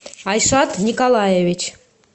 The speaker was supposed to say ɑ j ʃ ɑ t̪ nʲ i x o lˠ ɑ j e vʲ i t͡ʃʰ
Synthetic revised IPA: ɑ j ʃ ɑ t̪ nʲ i k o lˠ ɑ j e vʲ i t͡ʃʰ